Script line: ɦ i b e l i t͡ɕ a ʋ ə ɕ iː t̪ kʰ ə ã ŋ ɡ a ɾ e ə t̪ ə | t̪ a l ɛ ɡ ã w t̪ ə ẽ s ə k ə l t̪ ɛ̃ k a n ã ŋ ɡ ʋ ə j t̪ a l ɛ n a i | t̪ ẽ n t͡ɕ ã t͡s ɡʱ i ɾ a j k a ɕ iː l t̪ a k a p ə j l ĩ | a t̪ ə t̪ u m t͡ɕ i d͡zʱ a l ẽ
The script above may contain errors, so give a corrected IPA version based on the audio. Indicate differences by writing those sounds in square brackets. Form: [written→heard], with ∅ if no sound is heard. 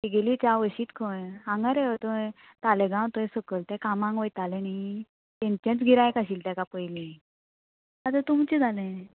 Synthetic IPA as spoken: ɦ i [b→ɡ] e l i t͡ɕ a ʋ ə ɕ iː t̪ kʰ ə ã ŋ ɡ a ɾ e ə t̪ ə | t̪ a l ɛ ɡ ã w t̪ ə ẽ s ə k ə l t̪ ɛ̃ k a [n→m] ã ŋ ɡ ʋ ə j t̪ a l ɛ n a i | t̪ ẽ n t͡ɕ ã t͡s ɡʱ i ɾ a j k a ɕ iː l t̪ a k a p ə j l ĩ | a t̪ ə t̪ u m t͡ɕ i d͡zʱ a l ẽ